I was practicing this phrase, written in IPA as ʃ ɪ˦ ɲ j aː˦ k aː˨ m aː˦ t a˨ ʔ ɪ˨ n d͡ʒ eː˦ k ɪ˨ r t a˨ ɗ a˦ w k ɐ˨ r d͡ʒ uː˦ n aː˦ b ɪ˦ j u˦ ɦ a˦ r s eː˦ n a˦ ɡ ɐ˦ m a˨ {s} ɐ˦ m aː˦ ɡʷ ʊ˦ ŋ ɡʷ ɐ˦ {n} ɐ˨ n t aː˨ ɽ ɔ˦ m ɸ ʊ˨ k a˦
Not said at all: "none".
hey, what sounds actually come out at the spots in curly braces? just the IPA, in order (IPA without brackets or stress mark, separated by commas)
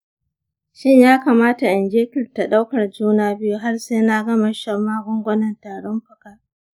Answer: ʃ, n